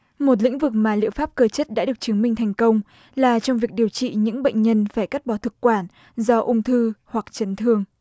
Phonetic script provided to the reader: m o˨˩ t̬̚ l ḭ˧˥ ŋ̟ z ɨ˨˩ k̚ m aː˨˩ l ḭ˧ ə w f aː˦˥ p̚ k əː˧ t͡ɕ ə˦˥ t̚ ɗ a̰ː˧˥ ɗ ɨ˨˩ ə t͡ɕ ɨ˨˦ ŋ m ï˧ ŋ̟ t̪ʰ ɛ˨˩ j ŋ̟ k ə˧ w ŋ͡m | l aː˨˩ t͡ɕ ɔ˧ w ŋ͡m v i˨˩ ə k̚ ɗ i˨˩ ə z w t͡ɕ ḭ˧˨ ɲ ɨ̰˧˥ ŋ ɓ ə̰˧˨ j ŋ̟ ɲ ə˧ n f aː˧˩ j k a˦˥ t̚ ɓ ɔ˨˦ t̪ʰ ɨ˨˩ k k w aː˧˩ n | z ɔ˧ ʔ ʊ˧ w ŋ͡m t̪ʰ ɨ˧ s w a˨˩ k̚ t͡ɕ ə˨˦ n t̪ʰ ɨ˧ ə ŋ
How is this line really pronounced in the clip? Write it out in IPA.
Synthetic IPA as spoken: m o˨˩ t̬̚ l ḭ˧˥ ŋ̟ v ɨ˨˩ k̚ m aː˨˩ l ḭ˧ ə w f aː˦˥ p̚ k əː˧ t͡ɕ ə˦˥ t̚ ɗ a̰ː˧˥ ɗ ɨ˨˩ ə t͡ɕ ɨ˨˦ ŋ m ï˧ ŋ̟ t̪ʰ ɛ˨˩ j ŋ̟ k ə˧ w ŋ͡m | l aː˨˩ t͡ɕ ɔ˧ w ŋ͡m v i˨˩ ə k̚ ɗ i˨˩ ə w t͡ɕ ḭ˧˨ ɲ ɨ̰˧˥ ŋ ɓ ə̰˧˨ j ŋ̟ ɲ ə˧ n f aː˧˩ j k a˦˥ t̚ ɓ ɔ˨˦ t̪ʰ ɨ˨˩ k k w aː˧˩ n | z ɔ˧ ʔ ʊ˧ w ŋ͡m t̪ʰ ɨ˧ h w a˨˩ k̚ t͡ɕ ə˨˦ n t̪ʰ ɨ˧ ə ŋ

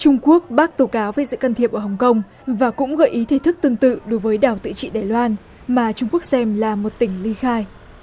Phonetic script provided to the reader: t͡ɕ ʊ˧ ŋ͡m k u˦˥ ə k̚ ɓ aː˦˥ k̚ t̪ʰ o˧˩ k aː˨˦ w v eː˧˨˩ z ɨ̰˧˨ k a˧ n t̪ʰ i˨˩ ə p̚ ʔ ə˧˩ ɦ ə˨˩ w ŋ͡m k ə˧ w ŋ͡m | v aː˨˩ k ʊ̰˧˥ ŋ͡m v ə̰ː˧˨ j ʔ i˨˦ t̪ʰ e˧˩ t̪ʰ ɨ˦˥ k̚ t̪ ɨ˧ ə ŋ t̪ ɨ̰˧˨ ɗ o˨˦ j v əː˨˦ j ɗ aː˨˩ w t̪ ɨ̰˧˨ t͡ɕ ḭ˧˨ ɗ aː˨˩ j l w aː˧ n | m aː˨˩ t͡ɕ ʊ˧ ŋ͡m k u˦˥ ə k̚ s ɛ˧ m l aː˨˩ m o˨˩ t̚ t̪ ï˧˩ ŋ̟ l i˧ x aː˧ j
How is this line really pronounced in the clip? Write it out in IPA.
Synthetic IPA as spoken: t͡ɕ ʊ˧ ŋ͡m k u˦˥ ə k̚ ɓ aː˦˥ k̚ t̪ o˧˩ k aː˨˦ w v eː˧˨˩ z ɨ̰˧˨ k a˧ n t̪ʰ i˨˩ ə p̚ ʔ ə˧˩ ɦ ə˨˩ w ŋ͡m k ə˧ w ŋ͡m | v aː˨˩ k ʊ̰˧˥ ŋ͡m ɣ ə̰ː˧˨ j ʔ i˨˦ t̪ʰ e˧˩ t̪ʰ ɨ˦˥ k̚ t̪ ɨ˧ ə ŋ t̪ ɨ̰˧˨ ɗ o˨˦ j v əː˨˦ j ɗ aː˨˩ w t̪ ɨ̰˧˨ t͡ɕ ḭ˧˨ ɗ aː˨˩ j l w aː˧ n | m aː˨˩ t͡ɕ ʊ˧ ŋ͡m k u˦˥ ə k̚ s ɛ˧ m l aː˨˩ m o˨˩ t̚ t̪ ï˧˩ ŋ̟ l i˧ x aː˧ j

